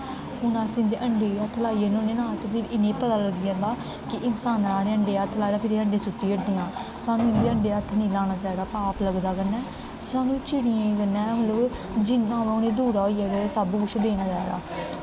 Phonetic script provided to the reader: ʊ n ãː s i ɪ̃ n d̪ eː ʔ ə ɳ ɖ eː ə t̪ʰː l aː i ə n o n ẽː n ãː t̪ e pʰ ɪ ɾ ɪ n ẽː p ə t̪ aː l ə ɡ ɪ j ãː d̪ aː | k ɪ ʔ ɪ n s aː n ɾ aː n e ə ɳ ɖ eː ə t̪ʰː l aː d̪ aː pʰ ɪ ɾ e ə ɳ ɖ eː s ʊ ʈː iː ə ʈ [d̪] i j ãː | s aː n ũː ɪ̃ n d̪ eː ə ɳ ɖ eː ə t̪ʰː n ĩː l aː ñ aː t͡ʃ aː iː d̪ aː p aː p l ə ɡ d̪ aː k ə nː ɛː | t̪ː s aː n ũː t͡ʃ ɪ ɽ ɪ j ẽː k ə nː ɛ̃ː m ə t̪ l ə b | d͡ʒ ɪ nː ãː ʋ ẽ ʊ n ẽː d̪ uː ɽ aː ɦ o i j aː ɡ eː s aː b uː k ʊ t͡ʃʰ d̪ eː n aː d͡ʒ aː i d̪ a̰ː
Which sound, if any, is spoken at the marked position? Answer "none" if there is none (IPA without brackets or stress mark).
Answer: d̪